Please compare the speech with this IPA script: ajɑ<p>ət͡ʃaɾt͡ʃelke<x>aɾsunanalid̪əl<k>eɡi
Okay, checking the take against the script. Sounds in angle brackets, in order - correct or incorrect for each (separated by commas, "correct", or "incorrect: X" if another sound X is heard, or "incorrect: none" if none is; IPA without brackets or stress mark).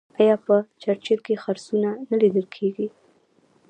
correct, correct, incorrect: kʰ